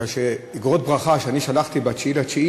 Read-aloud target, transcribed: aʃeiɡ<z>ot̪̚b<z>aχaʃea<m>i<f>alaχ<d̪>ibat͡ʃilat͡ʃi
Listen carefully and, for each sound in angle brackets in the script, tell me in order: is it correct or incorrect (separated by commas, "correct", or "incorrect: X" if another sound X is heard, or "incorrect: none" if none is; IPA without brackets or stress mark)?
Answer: incorrect: ʁ, incorrect: ʁ, incorrect: n, incorrect: ʃ, incorrect: t̪